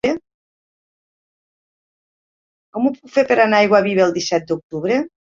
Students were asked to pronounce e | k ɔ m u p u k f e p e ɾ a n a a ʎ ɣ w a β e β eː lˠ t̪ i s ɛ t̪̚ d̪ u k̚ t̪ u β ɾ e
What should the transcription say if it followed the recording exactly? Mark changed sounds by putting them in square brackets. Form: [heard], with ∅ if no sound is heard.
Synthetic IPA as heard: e | k ɔ m u p u k f e p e ɾ a n a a [j] ɣ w a β [i] β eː lˠ [d̪] i s ɛ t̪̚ d̪ u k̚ t̪ u β ɾ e